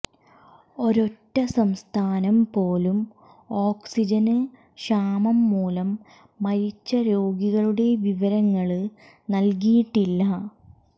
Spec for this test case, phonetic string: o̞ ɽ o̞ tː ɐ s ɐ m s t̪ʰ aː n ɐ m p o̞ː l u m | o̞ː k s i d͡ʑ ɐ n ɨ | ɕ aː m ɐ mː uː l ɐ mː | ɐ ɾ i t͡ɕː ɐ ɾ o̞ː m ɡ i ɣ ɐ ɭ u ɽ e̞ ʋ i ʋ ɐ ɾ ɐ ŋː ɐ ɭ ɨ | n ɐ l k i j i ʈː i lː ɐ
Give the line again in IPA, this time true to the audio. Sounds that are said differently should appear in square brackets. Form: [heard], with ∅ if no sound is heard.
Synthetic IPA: o̞ [ɾ] o̞ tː ɐ s ɐ m s t̪ʰ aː n ɐ m p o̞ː l u m | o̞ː k s i d͡ʑ ɐ n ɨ | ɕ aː m ɐ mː uː l ɐ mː | ɐ ɾ i t͡ɕː ɐ ɾ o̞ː [∅] ɡ i ɣ ɐ ɭ u ɽ e̞ ʋ i ʋ ɐ ɾ ɐ ŋː ɐ ɭ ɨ | n ɐ l k i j i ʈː i lː ɐ